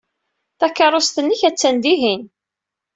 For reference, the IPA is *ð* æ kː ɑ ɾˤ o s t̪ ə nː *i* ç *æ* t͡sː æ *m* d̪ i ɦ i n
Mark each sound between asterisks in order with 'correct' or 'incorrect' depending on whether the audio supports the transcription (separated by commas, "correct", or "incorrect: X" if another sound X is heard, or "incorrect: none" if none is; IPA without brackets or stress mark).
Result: incorrect: θ, correct, correct, incorrect: n